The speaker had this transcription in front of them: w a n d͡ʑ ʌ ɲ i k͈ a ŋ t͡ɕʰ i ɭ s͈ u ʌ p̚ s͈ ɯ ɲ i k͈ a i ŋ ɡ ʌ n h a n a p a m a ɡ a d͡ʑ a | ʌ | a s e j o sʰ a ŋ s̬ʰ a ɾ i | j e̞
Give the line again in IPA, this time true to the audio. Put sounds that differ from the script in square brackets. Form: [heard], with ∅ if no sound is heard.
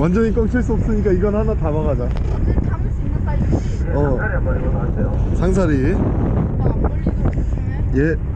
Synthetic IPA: w a n d͡ʑ ʌ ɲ i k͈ [ʌ] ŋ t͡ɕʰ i ɭ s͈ u ʌ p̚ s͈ ɯ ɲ i k͈ a i [∅] ɡ ʌ n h a n a [t] a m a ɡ a d͡ʑ a | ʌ | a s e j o sʰ a ŋ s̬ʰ a ɾ i | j e̞